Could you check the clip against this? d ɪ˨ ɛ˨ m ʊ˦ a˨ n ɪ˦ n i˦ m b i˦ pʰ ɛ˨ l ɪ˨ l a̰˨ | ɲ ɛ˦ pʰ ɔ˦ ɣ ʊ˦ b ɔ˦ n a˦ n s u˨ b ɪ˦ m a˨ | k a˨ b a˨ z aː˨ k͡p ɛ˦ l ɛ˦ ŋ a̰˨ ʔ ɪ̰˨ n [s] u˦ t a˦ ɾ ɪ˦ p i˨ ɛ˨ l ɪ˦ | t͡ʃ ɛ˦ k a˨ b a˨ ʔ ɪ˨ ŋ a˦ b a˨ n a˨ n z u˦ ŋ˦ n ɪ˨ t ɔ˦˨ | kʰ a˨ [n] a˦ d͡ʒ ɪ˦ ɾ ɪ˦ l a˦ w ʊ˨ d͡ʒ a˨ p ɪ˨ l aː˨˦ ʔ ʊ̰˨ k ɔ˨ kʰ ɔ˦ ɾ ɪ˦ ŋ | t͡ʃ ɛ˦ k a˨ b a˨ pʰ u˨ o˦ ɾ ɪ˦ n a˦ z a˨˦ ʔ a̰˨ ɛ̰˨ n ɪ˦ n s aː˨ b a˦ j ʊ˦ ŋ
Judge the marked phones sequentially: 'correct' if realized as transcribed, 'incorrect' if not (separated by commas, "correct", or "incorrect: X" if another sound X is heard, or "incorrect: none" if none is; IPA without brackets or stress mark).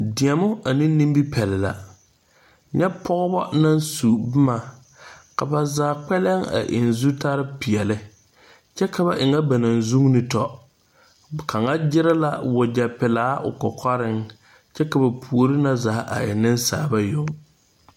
incorrect: z, incorrect: ŋ